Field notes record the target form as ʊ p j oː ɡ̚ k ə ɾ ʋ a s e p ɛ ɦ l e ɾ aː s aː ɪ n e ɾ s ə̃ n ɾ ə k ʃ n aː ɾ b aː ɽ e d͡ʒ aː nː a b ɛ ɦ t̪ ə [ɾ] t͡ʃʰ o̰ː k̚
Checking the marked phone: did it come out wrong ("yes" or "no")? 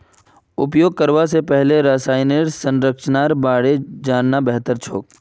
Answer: no